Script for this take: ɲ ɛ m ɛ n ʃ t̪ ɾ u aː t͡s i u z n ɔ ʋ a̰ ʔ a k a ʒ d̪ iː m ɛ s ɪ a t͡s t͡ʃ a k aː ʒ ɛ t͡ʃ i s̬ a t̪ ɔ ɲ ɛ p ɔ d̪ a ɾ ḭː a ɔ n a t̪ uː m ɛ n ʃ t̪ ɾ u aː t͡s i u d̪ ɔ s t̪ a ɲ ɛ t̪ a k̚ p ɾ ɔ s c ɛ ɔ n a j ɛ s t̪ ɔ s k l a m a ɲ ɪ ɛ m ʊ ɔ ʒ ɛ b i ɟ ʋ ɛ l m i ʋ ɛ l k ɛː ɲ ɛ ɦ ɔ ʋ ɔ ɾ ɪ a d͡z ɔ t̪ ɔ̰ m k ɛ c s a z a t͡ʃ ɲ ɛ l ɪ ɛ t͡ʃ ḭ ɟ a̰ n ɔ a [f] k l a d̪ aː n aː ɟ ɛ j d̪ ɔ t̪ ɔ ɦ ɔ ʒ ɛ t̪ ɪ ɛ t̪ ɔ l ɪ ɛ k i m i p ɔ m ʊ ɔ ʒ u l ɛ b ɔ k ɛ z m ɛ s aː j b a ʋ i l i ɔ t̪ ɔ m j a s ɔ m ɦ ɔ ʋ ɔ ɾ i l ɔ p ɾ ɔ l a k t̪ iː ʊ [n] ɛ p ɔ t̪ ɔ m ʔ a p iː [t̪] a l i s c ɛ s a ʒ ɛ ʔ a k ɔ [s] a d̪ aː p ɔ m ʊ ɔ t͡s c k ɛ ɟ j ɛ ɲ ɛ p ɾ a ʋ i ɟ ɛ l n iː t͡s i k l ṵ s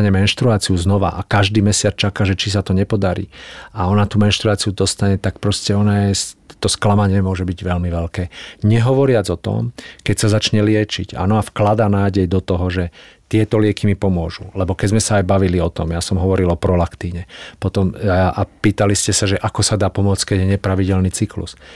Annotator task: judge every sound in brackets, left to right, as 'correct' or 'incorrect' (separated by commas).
correct, incorrect, correct, correct